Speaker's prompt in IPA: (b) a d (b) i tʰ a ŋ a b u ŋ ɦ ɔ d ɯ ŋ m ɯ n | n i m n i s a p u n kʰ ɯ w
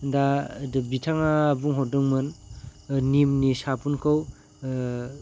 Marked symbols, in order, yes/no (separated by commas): no, yes